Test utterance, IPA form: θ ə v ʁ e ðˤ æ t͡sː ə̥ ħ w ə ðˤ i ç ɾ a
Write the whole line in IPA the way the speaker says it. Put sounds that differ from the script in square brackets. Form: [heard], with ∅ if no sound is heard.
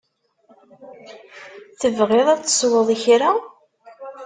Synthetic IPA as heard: θ ə v ʁ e ðˤ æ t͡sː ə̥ [s] w ə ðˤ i ç ɾ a